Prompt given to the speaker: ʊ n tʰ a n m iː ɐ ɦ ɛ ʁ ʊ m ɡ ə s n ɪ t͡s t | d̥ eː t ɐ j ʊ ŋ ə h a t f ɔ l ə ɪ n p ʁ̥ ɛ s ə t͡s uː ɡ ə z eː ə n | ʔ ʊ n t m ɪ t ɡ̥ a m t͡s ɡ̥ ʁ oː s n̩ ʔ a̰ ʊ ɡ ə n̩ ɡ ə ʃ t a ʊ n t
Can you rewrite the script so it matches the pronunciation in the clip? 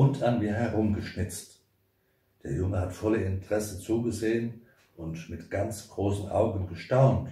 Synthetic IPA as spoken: ʊ n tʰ a n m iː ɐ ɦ ɛ ʁ ʊ m ɡ ə ʃ n ɪ t͡s t | d̥ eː ɐ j ʊ ŋ ə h a t f ɔ l ə ɪ n t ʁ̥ ɛ s ə t͡s uː ɡ ə z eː ə n | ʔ ʊ n t m ɪ t ɡ̥ a n t͡s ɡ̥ ʁ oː s n̩ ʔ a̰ ʊ ɡ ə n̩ ɡ ə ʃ t a ʊ n t